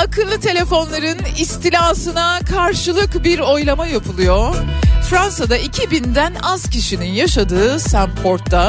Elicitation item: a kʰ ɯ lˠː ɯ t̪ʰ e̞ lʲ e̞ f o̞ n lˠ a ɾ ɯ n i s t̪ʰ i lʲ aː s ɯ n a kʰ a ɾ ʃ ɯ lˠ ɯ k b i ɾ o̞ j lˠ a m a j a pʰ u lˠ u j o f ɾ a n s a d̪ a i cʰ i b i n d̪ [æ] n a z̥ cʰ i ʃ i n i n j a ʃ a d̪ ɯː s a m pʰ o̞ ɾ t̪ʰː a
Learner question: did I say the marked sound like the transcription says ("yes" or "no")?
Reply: yes